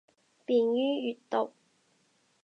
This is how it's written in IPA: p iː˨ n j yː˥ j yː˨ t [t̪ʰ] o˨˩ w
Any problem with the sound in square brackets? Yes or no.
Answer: yes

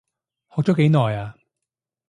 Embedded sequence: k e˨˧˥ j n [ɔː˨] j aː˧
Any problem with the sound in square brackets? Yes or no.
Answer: no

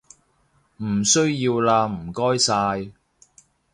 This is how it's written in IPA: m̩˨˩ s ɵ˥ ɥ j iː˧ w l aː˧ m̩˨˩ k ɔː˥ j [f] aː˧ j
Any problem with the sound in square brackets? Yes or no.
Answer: yes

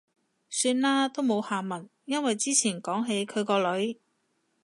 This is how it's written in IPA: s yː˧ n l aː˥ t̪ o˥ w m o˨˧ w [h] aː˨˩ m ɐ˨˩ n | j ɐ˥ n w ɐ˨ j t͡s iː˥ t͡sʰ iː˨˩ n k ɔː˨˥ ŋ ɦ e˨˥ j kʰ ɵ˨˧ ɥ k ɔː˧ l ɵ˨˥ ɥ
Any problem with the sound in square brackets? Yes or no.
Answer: no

